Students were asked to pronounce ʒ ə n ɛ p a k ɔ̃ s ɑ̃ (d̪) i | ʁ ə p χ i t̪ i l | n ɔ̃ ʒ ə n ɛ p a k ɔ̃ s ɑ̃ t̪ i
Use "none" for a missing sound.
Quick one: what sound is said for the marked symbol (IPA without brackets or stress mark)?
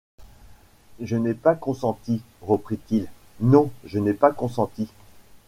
t̪